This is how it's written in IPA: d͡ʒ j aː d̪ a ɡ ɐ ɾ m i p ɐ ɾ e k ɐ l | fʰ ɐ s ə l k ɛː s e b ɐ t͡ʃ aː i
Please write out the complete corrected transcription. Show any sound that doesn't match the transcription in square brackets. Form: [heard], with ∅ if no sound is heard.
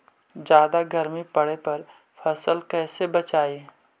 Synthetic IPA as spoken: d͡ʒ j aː d̪ a ɡ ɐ ɾ m i p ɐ [ɽ] e [p] ɐ [ɾ] | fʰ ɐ s ə l k ɛː s e b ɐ t͡ʃ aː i